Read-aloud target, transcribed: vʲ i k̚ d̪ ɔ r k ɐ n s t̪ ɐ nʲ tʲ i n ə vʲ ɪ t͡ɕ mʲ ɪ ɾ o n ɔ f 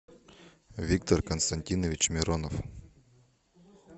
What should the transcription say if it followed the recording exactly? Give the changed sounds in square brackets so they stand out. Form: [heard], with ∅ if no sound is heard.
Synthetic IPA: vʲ i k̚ [t̪] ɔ r k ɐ n s t̪ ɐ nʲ tʲ i n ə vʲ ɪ t͡ɕ mʲ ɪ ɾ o n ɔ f